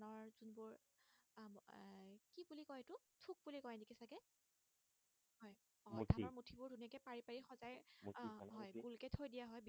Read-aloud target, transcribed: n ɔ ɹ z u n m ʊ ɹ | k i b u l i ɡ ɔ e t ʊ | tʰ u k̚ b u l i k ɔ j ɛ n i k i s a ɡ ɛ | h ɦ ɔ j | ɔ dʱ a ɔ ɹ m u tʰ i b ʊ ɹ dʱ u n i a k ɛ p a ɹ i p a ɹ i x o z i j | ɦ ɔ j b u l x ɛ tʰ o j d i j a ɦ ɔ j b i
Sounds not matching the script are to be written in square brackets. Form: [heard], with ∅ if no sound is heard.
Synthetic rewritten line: n ɔ ɹ z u n [b] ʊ ɹ | k i b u l i [k] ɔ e t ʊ | tʰ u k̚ b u l i k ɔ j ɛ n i k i s a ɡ ɛ | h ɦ ɔ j | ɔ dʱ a ɔ ɹ m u tʰ i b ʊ ɹ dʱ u n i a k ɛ p a ɹ i p a ɹ i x [ɔ] z [a] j | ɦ ɔ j b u l [k] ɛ tʰ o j d i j a ɦ ɔ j b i

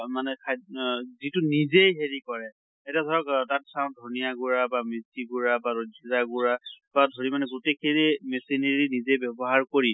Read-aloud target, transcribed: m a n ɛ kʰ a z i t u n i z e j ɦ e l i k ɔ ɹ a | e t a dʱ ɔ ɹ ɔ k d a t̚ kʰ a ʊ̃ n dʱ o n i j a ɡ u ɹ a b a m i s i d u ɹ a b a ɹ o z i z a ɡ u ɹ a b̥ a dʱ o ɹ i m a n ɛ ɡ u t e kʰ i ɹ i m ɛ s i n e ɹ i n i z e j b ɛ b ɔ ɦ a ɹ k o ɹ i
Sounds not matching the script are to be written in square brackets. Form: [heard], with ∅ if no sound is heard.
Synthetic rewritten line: m a n ɛ kʰ a z i t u n i z e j ɦ e [ɹ] i k ɔ ɹ [ɛ] | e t a dʱ ɔ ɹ ɔ k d a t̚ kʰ a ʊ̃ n dʱ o n i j a ɡ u ɹ a b a m i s i [ɡ] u ɹ a b a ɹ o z i z a ɡ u ɹ a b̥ a dʱ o ɹ i m a n ɛ ɡ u t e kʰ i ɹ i m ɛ s i n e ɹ i n i z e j b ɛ b ɔ ɦ a ɹ k o ɹ i

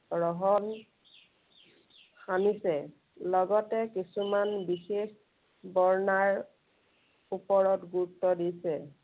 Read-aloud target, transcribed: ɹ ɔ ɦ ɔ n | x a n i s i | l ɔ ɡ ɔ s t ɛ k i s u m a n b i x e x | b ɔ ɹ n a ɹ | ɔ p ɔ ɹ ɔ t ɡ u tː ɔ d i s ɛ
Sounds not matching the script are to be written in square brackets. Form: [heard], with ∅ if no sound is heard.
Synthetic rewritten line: ɹ ɔ ɦ ɔ n | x a n i s [ɛ] | l ɔ ɡ ɔ [∅] t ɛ k i s u m a n b i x e x | b ɔ ɹ n a ɹ | [u] p ɔ ɹ ɔ t ɡ u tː ɔ d i s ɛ

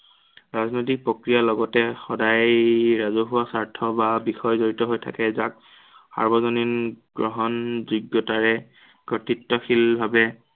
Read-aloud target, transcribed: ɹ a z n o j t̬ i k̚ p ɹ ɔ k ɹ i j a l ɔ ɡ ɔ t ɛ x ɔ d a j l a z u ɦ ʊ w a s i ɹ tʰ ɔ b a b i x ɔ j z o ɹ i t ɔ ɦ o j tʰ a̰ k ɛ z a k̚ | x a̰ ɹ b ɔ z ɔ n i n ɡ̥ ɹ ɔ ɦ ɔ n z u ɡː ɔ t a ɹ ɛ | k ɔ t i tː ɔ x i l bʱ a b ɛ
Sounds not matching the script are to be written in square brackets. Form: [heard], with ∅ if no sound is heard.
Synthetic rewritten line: ɹ a z n o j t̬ i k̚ p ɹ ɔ k ɹ i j a l ɔ ɡ ɔ t ɛ x ɔ d a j [ɹ] a z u ɦ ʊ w a s [a] ɹ tʰ ɔ b a b i x ɔ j z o ɹ i t ɔ ɦ o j tʰ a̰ k ɛ z a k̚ | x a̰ ɹ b ɔ z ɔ n i n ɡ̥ ɹ ɔ ɦ ɔ n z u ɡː ɔ t a ɹ ɛ | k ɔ t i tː ɔ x i l bʱ a b ɛ

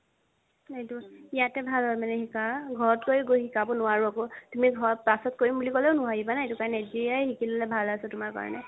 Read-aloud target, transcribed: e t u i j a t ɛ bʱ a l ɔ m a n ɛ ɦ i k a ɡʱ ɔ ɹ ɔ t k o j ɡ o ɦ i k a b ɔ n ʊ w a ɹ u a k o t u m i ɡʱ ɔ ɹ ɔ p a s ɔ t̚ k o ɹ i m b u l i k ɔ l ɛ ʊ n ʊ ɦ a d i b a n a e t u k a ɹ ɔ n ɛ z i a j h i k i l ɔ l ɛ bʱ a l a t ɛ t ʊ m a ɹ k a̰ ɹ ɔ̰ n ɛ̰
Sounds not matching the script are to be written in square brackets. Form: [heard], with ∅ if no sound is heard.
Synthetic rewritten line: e t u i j a t ɛ bʱ a l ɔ m a n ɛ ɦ i k a ɡʱ ɔ ɹ ɔ t k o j ɡ o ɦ i k a b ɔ n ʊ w a ɹ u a k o t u m i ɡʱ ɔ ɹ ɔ p a s ɔ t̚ k o ɹ i m b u l i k ɔ l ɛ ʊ n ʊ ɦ a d i b a n a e t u k a ɹ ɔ n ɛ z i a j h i k i l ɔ l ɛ bʱ a l a [s] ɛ t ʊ m a ɹ k a̰ ɹ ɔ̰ n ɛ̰

